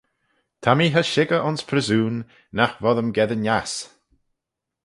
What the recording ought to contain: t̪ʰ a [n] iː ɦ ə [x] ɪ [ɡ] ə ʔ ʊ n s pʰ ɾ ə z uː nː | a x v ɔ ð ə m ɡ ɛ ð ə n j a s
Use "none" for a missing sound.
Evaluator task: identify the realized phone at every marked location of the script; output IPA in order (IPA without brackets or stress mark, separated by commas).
m, ʃ, ɡ